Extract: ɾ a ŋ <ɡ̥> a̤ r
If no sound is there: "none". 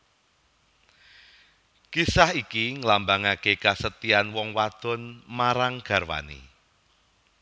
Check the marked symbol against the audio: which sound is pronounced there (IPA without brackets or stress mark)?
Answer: ɡ̥